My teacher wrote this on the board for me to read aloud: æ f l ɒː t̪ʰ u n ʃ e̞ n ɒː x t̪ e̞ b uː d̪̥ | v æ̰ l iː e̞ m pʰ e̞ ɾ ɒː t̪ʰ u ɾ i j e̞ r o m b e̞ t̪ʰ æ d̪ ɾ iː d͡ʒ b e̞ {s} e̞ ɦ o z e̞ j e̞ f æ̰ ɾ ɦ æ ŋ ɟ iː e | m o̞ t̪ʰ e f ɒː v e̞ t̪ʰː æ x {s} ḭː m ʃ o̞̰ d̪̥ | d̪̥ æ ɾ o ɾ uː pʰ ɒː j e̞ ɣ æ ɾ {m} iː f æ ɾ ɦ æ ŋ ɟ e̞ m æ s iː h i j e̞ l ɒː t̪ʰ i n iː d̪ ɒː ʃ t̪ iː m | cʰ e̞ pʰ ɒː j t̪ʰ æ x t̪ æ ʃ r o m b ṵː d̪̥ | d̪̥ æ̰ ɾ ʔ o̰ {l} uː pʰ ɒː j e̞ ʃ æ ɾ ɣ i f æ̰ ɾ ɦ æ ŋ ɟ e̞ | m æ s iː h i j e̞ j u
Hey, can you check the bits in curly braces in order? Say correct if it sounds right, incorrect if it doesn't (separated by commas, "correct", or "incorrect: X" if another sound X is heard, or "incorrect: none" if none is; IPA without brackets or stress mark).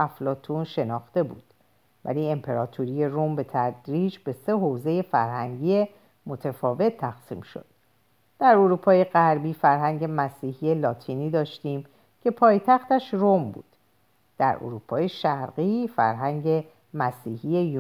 correct, correct, incorrect: b, incorrect: ɾ